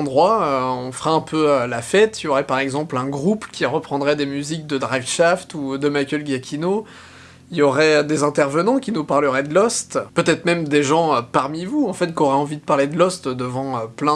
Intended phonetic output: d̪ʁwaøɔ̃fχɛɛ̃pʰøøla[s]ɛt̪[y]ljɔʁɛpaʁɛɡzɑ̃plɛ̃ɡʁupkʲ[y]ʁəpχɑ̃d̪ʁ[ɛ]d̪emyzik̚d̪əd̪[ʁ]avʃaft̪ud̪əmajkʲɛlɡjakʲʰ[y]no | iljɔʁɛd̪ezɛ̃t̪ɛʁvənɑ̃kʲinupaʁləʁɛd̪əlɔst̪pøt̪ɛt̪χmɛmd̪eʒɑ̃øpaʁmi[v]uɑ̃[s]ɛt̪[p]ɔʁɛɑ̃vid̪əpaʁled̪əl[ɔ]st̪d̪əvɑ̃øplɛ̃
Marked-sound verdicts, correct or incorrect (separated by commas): incorrect, incorrect, incorrect, correct, correct, incorrect, correct, incorrect, incorrect, correct